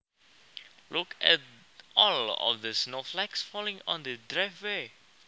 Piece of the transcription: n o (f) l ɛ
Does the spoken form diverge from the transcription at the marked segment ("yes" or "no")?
no